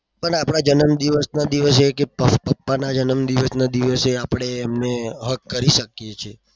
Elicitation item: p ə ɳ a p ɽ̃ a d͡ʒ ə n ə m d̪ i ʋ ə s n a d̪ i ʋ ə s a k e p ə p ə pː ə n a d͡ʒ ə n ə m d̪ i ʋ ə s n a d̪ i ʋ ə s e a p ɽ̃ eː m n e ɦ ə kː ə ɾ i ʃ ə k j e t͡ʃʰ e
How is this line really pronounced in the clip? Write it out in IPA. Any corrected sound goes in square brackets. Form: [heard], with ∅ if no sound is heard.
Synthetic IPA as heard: p ə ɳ a p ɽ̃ a d͡ʒ ə n ə m d̪ i ʋ ə s n a d̪ i ʋ ə s [e] k e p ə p ə pː [a] n a d͡ʒ ə n ə m d̪ i ʋ ə s n a d̪ i ʋ ə s e a p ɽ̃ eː m n e ɦ ə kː ə ɾ i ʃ ə k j e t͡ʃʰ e